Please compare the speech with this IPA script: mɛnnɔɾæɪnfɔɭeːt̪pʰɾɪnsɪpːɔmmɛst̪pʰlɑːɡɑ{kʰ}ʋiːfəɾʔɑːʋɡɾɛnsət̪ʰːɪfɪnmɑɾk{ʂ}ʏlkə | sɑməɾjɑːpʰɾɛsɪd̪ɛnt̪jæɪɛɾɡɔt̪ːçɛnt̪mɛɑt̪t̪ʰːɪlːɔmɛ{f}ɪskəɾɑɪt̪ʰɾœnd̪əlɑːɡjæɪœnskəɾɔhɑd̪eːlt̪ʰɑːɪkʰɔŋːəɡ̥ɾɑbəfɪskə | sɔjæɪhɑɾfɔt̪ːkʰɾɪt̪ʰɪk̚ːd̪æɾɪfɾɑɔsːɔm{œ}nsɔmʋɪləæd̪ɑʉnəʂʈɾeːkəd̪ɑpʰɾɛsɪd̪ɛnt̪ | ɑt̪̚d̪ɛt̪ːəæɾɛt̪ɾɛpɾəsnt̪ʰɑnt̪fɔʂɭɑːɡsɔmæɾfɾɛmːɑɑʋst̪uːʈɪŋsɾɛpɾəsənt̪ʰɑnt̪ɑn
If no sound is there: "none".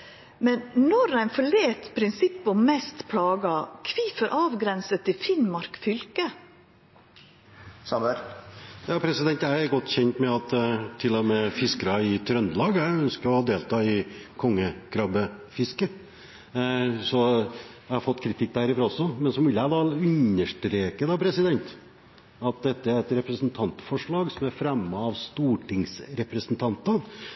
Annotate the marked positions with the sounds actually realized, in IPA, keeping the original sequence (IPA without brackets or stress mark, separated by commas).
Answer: kʰ, f, f, ɛ